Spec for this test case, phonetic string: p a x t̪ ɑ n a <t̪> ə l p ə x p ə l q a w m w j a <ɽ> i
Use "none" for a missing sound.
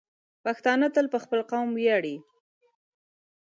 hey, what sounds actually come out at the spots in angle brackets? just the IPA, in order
t̪, ɽ

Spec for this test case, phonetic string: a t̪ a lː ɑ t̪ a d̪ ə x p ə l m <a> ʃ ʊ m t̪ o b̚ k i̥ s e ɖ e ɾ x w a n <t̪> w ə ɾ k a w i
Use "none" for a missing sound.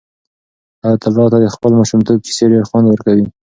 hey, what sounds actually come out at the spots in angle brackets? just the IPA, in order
ɑ, d̪

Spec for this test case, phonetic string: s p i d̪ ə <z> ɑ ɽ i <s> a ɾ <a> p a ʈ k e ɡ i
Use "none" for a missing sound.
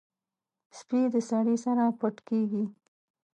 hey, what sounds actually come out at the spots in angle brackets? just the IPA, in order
s, s, a

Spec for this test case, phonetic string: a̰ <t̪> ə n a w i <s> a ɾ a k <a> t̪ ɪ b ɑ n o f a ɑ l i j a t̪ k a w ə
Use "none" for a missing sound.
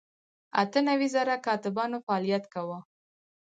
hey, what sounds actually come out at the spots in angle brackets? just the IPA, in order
t̪, z, ɑ

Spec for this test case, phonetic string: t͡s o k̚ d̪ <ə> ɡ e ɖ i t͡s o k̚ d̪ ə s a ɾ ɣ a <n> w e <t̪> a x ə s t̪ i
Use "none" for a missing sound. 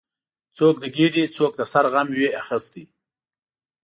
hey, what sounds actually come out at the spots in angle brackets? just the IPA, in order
ə, m, none

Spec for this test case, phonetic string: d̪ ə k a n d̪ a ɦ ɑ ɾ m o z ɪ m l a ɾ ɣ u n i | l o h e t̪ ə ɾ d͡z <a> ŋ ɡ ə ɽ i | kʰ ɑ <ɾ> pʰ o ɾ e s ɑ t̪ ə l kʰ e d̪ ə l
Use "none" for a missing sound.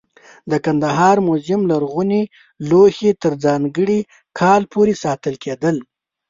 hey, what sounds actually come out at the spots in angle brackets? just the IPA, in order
ɑ, l

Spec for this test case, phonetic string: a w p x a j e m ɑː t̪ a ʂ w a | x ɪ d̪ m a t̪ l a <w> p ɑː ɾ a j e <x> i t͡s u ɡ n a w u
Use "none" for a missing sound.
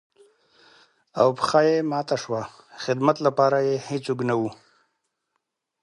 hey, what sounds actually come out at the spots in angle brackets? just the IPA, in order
none, h

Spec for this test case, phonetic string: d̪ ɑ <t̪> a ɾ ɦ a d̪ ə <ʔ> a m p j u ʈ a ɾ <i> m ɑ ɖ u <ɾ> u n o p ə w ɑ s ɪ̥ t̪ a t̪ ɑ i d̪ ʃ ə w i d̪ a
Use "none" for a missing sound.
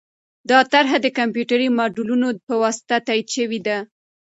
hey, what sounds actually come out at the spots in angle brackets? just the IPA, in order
t̪, k, i, l

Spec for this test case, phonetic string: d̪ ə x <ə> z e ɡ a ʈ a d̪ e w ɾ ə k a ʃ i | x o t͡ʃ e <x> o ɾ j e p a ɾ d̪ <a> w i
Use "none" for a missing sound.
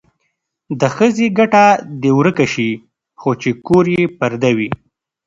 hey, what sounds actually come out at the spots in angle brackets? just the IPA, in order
ə, k, a

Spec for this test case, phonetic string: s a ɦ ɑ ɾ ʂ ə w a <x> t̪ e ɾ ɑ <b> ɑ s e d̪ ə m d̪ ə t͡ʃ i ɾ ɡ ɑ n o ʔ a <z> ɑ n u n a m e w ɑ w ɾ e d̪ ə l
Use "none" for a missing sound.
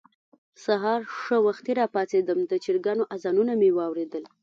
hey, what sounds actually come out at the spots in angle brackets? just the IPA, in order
x, p, z

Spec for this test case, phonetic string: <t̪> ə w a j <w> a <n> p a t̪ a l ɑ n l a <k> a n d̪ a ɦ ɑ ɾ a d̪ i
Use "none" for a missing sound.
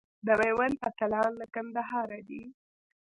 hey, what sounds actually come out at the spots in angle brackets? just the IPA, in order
d̪, w, n, k

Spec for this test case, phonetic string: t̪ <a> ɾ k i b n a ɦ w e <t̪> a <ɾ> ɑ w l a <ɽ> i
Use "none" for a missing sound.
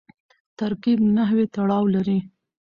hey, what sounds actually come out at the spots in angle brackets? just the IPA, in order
a, t̪, ɽ, ɾ

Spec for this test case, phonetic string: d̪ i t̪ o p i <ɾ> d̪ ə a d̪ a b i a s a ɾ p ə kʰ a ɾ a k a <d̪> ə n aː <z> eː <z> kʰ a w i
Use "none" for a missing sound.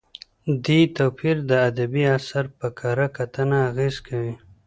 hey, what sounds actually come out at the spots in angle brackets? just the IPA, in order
ɾ, t̪, ɣ, z

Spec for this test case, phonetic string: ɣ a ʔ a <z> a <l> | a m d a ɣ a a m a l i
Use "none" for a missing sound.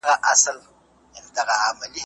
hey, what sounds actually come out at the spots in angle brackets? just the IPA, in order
s, l

